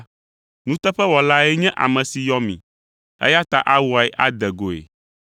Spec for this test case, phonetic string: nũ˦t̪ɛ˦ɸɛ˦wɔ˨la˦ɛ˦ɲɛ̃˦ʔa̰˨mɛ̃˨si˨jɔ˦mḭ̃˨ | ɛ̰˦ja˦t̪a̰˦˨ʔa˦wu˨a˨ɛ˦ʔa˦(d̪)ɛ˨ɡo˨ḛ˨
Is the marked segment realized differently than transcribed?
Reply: no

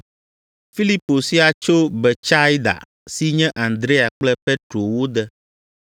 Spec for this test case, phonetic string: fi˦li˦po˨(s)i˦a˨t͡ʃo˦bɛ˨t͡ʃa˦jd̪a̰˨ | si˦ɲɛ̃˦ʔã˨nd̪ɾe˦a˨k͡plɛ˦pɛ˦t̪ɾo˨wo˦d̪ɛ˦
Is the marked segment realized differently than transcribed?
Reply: no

